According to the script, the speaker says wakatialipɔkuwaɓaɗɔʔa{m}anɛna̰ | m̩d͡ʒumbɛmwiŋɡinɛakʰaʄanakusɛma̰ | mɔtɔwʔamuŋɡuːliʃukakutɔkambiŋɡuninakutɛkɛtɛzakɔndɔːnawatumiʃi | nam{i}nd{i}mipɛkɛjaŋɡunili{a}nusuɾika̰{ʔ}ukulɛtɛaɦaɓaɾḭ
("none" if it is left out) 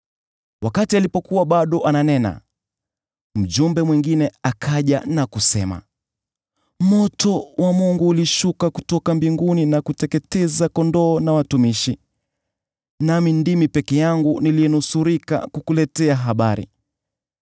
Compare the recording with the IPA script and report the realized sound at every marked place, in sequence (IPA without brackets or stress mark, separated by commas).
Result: n, i, i, ɛ, k